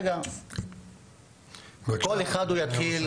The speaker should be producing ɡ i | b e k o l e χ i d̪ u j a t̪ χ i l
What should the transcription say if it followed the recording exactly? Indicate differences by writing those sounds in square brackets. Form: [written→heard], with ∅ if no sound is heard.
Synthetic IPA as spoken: ɡ [i→a] | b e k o l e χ [i→a] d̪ u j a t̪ χ i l

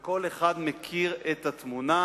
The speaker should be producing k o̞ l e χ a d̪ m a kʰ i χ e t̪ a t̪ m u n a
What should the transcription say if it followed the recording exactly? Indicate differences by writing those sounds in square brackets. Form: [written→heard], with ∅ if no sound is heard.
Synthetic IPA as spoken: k o̞ l e χ a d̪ m [a→e] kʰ i [χ→ʁ] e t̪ a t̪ m u n a

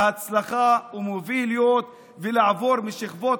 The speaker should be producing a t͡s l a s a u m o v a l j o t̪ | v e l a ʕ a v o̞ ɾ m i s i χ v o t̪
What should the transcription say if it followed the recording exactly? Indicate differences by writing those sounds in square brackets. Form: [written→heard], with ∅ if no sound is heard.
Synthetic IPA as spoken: a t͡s l a [s→χ] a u m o v [a→i] l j o t̪ | v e l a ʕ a v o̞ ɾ m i [s→ʃ] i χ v o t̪

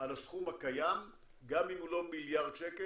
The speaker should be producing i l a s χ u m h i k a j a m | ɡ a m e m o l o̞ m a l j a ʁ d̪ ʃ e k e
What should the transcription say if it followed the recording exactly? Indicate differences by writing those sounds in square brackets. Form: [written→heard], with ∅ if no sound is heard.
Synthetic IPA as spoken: [i→a] l a s χ u m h [i→a] k a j a m | ɡ a m [e→i] m [o→u] l o̞ m [a→i] l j a ʁ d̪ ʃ e k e

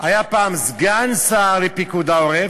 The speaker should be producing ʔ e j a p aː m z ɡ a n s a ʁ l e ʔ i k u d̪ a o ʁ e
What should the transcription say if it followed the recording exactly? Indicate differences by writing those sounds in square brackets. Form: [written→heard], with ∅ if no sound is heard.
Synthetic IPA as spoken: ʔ [e→a] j a p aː m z ɡ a n s a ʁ l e [ʔ→p] i k u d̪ a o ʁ e

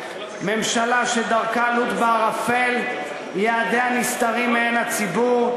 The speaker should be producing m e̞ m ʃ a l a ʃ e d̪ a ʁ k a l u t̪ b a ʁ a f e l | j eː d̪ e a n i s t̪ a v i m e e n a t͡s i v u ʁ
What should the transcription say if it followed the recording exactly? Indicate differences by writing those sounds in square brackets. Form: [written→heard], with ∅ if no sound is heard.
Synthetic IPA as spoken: m e̞ m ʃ a l a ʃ e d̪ a ʁ k a l u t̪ b a ʁ a f e l | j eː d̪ e a n i s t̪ a [v→ʁ] i m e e n a t͡s i [v→b] u ʁ

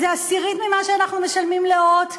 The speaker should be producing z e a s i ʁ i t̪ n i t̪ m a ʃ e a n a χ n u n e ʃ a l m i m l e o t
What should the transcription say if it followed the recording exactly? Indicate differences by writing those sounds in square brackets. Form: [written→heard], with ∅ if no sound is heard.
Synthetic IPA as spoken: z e a s i ʁ i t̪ [n→m] i [t̪→∅] m a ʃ e a n a χ n u [n→m] e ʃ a l m i m l e o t

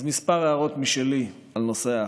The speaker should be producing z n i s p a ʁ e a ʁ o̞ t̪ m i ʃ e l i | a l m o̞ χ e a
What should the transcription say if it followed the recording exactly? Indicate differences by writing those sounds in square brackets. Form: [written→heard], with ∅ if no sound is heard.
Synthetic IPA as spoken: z [n→m] i s p a ʁ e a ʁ o̞ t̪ m i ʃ e l i | a l [m→n] o̞ [χ→s] e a

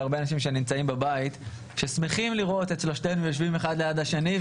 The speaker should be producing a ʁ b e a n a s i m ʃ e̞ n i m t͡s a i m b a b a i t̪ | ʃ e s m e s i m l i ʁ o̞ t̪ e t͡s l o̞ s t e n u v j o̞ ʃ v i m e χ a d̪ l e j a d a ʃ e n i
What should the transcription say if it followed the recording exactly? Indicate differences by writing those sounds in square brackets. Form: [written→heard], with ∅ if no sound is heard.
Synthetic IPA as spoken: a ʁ b e a n a [s→ʃ] i m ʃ e̞ n i m t͡s a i m b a b a i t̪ | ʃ e s m e [s→χ] i m l i ʁ o̞ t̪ e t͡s l o̞ [s→ʃ] t e n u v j o̞ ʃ v i m e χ a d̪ l e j a d a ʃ e n i

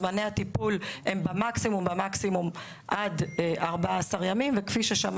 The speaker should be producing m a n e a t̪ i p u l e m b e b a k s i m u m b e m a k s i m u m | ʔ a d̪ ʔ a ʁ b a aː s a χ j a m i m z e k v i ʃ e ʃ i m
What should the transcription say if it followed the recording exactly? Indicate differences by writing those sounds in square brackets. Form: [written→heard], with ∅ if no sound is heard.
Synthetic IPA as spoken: m a n e a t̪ i p u l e m b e [b→m] a k s i m u m b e m a k s i m u m | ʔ a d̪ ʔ a ʁ b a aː s a [χ→ʁ] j a m i m [z→v] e k [v→f] i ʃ e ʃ [i→a] m

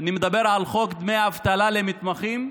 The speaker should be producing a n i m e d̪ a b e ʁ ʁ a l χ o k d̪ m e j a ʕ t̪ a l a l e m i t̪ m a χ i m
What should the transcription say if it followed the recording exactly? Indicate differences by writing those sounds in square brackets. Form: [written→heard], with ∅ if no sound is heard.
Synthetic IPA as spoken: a n i m e d̪ a b e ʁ [ʁ→ʕ] a l χ o k d̪ m e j a [ʕ→v] t̪ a l a l e m i t̪ m a χ i m

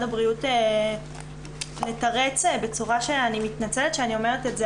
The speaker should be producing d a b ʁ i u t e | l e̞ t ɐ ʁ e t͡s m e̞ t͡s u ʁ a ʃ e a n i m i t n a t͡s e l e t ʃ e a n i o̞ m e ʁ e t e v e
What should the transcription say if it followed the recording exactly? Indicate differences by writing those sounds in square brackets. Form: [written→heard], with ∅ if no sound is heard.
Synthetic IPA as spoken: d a b ʁ i u t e | l e̞ t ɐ ʁ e t͡s [m→b] e̞ t͡s u ʁ a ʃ e a n i m i t n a t͡s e l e t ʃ e a n i o̞ m e ʁ e t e [v→z] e

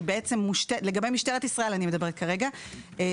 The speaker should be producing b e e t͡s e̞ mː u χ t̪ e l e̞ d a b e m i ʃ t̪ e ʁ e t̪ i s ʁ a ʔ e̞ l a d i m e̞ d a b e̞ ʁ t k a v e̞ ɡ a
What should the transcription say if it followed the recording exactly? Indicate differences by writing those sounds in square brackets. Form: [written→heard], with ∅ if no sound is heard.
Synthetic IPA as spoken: b e e t͡s e̞ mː u [χ→ʃ] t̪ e l e̞ [d→ɡ] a b e m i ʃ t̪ e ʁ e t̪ i s ʁ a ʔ e̞ l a [d→n] i m e̞ d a b e̞ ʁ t k a [v→ʁ] e̞ ɡ a

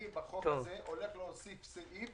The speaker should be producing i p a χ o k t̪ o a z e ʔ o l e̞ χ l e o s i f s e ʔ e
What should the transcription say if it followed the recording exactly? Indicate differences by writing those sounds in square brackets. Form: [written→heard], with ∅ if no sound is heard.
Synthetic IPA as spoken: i [p→b] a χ o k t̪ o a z e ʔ o l e̞ χ l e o s i f s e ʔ [e→i]

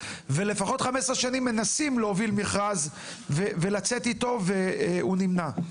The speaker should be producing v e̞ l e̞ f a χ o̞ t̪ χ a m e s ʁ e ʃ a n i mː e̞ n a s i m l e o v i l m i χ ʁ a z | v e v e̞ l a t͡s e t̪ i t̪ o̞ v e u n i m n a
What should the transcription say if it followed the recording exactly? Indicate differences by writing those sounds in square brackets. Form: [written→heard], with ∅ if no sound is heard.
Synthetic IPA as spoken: v e̞ l e̞ f a χ o̞ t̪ χ a m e s ʁ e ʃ a n i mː e̞ n a s i m l e o v i l m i χ ʁ a z | v e v e̞ l a t͡s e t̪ i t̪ o̞ v e u n i m n a

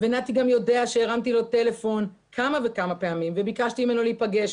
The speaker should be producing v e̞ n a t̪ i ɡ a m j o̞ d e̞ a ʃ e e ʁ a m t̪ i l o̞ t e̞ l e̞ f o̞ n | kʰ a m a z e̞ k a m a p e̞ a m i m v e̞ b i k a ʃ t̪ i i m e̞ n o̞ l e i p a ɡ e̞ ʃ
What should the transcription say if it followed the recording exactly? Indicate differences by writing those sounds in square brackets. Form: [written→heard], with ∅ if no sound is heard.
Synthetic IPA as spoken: v e̞ n a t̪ i ɡ a m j o̞ d e̞ a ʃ e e ʁ a m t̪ i l o̞ t e̞ l e̞ f o̞ n | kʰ a m a [z→v] e̞ k a m a p e̞ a m i m v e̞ b i k a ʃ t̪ i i m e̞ n o̞ l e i p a ɡ e̞ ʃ

